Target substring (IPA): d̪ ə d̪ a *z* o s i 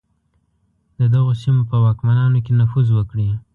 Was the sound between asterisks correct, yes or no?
no